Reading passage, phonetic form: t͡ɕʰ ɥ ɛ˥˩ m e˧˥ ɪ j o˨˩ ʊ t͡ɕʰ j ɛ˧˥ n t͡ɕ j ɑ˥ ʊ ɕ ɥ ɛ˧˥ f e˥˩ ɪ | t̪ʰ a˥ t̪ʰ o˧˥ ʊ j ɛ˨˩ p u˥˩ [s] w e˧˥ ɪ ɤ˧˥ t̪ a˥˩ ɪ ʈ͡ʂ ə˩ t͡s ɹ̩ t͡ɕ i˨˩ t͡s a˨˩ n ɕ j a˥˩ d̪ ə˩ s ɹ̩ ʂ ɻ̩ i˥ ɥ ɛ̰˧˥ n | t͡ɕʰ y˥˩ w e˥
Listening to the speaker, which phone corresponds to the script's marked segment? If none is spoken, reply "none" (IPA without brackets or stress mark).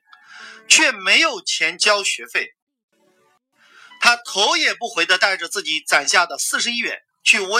x